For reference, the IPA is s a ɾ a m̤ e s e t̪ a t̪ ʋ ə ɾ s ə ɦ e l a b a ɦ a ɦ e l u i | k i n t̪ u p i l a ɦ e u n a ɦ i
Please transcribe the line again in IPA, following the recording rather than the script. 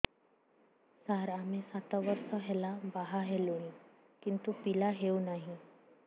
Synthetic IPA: s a ɾ a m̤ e s a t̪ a ʋ ə ɾ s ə ɦ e l a b a ɦ a ɦ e l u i | k i n t̪ u p i l a ɦ e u n a ɦ i